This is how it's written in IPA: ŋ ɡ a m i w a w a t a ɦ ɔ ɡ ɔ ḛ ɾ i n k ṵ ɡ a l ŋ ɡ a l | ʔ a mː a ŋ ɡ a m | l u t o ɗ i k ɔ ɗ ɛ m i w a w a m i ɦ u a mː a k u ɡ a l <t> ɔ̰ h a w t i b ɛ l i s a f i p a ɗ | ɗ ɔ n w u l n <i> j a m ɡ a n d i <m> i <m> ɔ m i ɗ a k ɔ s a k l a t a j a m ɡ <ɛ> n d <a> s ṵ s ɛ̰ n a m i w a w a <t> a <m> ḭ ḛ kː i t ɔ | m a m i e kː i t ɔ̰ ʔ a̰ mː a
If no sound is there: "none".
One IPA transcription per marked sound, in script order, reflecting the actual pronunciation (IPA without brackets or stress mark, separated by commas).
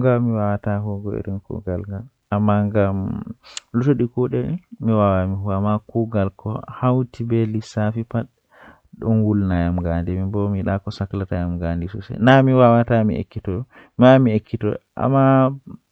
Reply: k, a, m, b, a, i, t, m